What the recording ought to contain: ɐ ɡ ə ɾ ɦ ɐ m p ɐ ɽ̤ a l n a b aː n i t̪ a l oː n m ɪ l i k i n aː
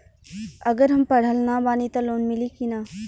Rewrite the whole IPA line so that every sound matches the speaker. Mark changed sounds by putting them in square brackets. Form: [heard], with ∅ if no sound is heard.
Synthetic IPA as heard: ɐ ɡ ə ɾ ɦ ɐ m p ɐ ɽ̤ [ə] l n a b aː n i t̪ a l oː n m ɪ l i k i n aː

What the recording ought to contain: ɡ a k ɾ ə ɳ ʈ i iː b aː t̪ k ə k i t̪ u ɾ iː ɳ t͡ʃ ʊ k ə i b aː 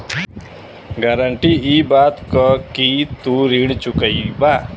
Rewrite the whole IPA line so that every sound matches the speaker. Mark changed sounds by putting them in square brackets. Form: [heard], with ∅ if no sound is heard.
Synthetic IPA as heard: ɡ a [∅] ɾ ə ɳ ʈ i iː b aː t̪ k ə k i t̪ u ɾ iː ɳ t͡ʃ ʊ k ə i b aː

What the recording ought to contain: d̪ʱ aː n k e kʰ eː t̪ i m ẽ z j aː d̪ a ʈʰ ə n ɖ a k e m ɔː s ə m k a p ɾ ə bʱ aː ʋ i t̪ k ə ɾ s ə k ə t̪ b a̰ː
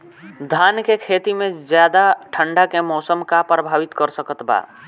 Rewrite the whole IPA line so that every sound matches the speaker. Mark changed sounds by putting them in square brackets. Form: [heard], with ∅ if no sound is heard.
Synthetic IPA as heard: d̪ʱ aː n k e kʰ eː t̪ i m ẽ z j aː d̪ a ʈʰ ə [ɳ] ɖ a k e m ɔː s ə m k a p ɾ ə bʱ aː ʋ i t̪ k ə ɾ s ə k ə t̪ b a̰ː

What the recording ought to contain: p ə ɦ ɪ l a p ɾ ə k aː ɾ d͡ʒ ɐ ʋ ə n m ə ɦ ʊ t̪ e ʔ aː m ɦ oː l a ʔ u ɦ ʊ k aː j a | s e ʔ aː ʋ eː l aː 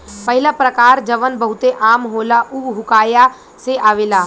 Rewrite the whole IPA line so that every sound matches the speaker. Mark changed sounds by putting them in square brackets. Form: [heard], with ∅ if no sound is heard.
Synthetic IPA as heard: p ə ɦ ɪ l a p ɾ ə k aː ɾ d͡ʒ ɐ ʋ ə n [b] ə ɦ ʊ t̪ e ʔ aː m ɦ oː l a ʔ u ɦ ʊ k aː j a | s e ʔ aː ʋ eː l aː

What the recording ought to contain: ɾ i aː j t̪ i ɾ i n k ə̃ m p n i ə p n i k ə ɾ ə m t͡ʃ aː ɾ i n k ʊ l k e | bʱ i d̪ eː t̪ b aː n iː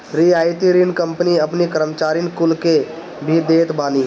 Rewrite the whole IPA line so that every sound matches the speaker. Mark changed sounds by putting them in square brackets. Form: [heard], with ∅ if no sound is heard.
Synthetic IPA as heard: ɾ i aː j t̪ i ɾ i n k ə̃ m p n i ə p n i k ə ɾ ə m t͡ʃ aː ɾ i n k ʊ l k e | bʱ i d̪ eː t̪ b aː n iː

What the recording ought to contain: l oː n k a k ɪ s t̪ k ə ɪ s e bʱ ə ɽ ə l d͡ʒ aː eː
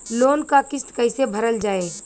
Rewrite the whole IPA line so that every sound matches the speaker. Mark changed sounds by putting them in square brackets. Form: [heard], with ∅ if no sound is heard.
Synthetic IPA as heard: l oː n k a k ɪ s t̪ k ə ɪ s e bʱ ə [ɾ] ə l d͡ʒ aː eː

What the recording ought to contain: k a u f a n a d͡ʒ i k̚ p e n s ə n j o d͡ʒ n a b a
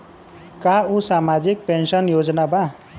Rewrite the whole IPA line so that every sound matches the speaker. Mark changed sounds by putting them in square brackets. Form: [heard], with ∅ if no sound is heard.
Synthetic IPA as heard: k a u [s] a [m] a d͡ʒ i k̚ p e n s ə n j o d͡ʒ n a b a

